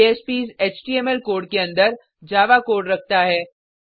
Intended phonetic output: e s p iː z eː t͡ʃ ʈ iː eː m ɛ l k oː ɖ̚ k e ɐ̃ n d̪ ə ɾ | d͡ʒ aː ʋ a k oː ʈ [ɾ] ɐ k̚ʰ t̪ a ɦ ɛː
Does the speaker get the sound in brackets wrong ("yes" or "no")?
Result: no